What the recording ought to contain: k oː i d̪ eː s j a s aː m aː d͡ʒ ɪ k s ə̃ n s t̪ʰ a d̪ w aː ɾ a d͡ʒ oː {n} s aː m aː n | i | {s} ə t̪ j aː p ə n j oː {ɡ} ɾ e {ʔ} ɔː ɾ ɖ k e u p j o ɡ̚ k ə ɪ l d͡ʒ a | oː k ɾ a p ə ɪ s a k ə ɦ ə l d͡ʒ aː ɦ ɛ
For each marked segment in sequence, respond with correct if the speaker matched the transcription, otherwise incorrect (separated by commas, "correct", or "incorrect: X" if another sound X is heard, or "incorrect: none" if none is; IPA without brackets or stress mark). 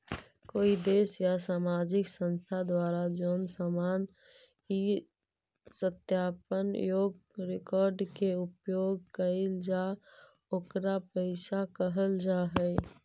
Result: correct, correct, correct, incorrect: k